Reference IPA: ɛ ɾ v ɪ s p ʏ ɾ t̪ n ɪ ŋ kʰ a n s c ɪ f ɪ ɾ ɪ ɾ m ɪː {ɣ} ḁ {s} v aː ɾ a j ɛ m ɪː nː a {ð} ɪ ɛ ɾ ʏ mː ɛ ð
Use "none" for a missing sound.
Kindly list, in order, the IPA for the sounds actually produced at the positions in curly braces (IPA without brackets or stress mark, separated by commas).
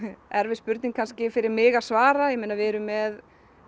ɣ, s, v